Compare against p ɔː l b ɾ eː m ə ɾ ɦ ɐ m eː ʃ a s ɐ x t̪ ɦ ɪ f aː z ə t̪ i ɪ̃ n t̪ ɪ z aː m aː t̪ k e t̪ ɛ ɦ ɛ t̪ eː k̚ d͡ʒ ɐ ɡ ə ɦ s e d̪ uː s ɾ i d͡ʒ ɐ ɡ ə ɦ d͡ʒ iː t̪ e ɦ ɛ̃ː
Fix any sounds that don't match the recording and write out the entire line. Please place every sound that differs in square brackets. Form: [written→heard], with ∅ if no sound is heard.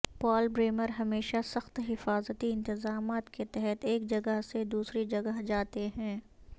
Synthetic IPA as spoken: p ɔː l b ɾ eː m ə ɾ ɦ ɐ m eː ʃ a s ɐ x t̪ ɦ ɪ f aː z ə t̪ i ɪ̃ n t̪ ɪ z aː m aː t̪ k e t̪ ɛ ɦ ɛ t̪ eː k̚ d͡ʒ ɐ ɡ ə ɦ s e d̪ uː s ɾ i d͡ʒ ɐ ɡ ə ɦ d͡ʒ [iː→aː] t̪ e ɦ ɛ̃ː